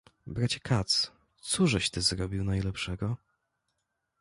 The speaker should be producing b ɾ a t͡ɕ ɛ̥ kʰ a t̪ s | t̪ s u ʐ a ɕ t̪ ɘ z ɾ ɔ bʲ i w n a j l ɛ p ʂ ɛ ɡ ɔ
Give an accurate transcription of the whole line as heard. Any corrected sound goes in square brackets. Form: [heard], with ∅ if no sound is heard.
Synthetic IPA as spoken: b ɾ a t͡ɕ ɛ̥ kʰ a t̪ s | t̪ s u ʐ [ɛ] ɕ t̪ ɘ z ɾ ɔ bʲ i w n a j l ɛ p ʂ ɛ ɡ ɔ